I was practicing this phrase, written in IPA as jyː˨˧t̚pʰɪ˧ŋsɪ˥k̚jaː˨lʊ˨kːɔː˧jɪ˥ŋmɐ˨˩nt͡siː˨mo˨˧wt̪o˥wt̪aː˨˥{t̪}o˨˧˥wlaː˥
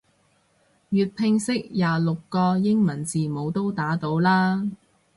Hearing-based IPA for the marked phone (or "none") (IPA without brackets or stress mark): t̪